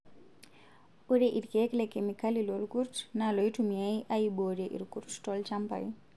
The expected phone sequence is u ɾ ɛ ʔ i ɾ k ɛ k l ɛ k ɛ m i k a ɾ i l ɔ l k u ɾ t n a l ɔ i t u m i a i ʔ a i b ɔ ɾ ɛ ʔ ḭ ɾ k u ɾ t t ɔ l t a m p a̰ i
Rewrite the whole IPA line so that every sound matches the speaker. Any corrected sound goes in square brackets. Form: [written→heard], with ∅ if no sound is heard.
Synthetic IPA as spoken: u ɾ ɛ ʔ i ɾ k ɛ k l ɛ k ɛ m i k a [ɾ→l] i l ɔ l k u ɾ t n a l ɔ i t u m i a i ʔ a i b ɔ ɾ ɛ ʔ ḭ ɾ k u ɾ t t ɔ l [t→t͡ʃ] a m p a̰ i